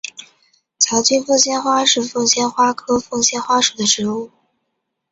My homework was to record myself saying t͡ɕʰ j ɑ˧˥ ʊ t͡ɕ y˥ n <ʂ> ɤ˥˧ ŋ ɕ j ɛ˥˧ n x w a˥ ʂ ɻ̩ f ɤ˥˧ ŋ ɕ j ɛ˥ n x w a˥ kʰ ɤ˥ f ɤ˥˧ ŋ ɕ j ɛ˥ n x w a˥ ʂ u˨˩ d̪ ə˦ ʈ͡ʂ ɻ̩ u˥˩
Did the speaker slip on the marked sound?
yes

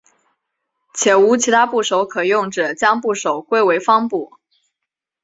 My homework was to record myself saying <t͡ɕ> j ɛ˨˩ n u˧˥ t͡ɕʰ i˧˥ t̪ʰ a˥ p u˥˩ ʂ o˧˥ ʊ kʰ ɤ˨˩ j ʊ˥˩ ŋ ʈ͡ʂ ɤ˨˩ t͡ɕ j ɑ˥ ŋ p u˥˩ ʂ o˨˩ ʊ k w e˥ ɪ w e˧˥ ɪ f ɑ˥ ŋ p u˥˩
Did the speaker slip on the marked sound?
yes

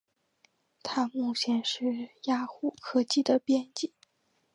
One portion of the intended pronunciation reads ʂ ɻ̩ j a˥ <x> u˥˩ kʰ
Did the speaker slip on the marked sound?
no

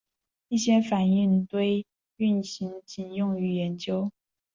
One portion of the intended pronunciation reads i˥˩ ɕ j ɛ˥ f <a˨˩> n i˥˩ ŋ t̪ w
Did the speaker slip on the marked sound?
no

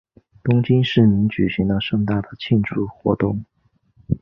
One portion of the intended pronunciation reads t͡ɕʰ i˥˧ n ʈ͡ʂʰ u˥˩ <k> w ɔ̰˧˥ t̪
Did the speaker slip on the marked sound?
yes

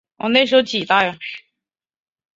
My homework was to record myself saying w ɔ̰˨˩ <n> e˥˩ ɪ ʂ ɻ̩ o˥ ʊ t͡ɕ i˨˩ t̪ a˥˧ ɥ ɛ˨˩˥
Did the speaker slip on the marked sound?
no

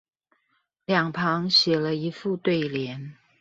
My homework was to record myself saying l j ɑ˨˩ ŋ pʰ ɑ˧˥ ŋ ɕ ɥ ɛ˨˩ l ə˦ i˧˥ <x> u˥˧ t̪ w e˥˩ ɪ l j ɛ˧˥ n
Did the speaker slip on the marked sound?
yes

